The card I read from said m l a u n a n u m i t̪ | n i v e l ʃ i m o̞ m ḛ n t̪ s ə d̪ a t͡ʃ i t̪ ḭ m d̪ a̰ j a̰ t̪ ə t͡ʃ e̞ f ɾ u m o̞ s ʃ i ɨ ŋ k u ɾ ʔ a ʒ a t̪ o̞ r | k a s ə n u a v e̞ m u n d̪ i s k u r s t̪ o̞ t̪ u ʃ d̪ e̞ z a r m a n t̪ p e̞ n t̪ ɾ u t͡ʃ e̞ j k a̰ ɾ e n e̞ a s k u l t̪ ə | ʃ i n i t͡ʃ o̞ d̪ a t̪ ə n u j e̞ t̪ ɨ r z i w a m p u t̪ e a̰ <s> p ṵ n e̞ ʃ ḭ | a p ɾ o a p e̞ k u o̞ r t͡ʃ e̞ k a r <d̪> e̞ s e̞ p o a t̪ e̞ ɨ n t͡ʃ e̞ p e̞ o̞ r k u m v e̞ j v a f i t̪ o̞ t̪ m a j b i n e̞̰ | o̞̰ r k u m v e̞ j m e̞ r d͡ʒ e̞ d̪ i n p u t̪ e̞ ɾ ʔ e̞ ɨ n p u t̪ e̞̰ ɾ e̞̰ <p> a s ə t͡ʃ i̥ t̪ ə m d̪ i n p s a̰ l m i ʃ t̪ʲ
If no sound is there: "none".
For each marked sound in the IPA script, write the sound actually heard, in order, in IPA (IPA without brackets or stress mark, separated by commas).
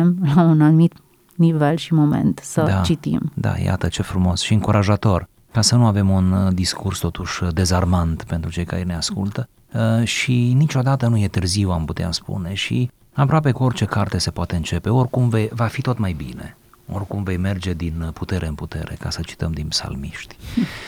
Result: s, t̪, k